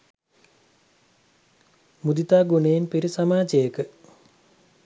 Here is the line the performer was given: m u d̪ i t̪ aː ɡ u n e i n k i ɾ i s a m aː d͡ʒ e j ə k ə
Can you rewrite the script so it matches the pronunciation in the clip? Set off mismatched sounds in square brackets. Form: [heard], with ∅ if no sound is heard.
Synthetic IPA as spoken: m u d̪ i t̪ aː ɡ u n e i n [p] i ɾ i s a m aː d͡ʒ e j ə k ə